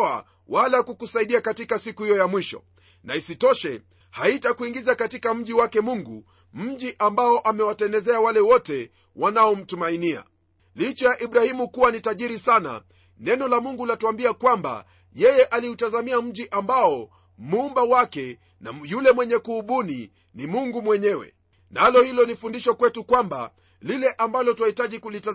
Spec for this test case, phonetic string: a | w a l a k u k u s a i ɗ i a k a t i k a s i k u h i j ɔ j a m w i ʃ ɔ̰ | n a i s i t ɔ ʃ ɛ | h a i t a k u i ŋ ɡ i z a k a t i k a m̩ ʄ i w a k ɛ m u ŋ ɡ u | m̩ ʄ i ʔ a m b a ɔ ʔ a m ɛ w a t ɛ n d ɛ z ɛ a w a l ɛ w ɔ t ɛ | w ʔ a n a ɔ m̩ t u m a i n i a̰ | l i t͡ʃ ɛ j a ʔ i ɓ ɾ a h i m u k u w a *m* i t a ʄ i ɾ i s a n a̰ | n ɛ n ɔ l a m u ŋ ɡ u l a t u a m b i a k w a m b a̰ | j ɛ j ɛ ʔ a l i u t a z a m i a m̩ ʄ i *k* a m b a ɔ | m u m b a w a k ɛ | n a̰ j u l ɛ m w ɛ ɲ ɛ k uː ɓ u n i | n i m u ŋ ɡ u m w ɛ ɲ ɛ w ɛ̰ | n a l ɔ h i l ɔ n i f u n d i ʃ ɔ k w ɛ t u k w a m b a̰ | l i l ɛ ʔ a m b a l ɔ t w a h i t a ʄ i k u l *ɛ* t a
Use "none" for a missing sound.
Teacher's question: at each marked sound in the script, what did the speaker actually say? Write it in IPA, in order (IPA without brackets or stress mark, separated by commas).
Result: n, ʔ, i